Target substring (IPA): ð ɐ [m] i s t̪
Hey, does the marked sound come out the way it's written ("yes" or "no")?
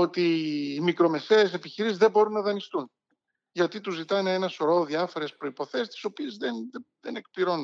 no